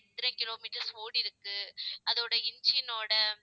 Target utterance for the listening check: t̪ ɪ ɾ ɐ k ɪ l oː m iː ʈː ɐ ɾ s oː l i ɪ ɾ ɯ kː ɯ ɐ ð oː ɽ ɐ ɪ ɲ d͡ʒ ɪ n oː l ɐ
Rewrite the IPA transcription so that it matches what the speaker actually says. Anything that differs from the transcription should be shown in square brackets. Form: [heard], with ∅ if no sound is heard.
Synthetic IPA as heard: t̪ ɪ ɾ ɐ k ɪ l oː m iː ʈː ɐ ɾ s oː [ɽ] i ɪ ɾ ɯ kː ɯ ɐ ð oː ɽ ɐ ɪ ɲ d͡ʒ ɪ n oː [ɽ] ɐ